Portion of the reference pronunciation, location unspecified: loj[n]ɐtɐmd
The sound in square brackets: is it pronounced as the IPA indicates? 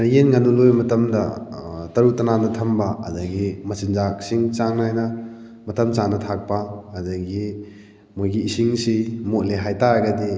no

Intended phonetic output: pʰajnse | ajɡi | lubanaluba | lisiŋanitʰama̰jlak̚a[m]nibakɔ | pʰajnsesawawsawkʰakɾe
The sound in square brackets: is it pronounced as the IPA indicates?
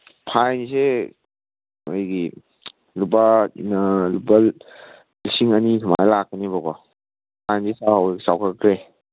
no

